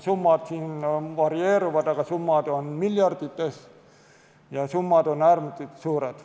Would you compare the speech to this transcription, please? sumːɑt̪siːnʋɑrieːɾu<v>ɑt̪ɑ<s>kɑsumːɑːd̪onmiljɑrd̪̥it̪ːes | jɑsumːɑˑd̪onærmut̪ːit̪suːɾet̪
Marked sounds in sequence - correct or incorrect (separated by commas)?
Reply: incorrect, incorrect